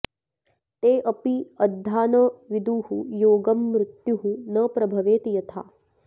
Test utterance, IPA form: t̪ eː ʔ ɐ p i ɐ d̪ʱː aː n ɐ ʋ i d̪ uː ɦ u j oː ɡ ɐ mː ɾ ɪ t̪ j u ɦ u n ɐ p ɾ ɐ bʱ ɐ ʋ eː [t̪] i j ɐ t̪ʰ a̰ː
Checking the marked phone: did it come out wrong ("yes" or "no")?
no